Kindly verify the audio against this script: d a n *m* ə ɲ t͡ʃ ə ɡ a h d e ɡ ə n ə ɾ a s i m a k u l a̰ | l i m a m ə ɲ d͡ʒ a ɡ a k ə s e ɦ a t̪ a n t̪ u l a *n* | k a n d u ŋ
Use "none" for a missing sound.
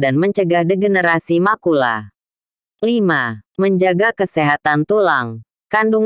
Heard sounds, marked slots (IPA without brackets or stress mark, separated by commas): m, ŋ